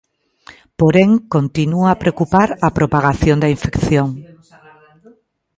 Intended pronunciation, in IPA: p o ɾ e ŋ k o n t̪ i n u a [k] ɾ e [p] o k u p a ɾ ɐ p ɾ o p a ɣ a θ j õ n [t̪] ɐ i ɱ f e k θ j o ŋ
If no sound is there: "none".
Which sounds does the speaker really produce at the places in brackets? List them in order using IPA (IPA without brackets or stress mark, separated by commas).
p, none, d̪